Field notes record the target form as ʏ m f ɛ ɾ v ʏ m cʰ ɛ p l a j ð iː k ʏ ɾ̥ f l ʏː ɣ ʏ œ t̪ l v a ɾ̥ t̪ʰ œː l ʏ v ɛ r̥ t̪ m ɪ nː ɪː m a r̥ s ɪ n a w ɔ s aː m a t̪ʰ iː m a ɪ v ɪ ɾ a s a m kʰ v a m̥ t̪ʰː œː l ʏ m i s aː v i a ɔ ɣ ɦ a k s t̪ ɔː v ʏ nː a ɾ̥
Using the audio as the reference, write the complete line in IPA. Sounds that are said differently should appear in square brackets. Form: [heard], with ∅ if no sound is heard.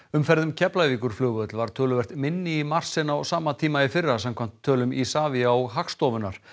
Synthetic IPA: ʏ m f ɛ ɾ [ð] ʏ m cʰ ɛ p l a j [v] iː k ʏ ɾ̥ f l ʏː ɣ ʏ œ t̪ l v a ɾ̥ t̪ʰ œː l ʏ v ɛ r̥ t̪ m ɪ nː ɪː m a r̥ s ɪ n a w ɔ s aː m a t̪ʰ iː m a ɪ [f] ɪ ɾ a s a m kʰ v a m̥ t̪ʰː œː l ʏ m i s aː v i a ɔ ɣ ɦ a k s t̪ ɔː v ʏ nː a ɾ̥